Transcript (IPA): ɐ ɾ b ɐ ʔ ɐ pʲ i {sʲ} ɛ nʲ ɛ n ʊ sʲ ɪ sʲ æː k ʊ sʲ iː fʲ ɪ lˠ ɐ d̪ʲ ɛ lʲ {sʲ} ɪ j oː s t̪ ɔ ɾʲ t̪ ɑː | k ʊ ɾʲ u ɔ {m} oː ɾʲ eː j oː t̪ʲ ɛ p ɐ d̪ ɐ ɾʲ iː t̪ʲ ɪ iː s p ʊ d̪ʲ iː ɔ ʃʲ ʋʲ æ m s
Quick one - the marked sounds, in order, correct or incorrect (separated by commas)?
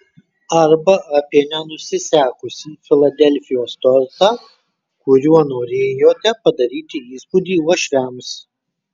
incorrect, incorrect, incorrect